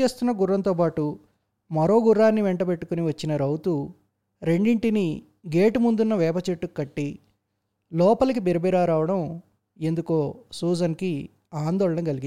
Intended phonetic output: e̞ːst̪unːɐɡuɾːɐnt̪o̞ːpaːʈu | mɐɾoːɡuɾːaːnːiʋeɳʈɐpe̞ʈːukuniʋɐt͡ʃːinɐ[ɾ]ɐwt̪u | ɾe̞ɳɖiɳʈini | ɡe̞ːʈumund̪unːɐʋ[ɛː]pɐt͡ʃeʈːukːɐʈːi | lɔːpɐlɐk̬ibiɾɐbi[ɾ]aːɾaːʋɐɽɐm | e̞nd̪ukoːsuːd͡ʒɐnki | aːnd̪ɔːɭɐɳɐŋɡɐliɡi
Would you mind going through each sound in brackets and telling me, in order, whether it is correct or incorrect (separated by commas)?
correct, correct, correct